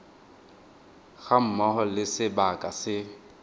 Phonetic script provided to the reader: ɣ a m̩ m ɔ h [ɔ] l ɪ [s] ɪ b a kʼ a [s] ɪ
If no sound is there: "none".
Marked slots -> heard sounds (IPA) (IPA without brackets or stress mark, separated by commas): ɔ, s, s